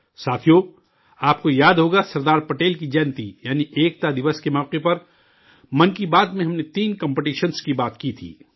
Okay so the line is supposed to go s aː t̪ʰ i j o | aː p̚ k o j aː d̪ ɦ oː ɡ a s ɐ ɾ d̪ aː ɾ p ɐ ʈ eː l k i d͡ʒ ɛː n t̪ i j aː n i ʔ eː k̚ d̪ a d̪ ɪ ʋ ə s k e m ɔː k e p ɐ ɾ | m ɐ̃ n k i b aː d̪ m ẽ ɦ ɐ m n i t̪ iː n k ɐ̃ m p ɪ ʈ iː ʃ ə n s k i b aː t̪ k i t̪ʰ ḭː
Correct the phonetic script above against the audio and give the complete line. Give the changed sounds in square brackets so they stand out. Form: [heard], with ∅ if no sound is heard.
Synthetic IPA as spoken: s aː t̪ʰ i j o | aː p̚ k o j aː d̪ ɦ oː ɡ a s ɐ ɾ d̪ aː ɾ p ɐ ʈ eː l k i d͡ʒ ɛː n t̪ i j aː n i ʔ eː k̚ [t̪] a d̪ ɪ ʋ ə s k e m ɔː [q] e p ɐ ɾ | m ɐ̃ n k i b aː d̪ m ẽ ɦ ɐ m n [e] t̪ iː n k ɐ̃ m p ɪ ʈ iː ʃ ə n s k i b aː t̪ k i t̪ʰ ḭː